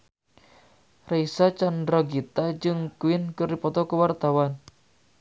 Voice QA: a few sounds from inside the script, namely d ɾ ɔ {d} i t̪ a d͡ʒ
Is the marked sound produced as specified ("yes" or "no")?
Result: no